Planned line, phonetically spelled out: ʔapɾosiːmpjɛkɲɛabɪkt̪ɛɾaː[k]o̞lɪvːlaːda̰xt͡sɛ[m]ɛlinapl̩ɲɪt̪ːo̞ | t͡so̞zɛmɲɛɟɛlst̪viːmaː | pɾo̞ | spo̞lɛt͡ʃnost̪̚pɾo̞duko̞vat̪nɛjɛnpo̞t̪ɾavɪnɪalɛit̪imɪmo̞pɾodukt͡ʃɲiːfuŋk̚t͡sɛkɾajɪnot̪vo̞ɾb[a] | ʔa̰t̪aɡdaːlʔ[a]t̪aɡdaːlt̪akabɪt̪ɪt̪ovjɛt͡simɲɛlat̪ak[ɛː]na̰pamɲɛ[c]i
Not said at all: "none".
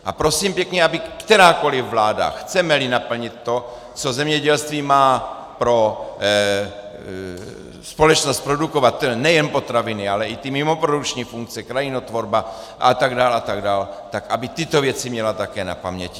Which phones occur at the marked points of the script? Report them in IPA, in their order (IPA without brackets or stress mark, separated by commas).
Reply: k, m, a, a, ɛː, c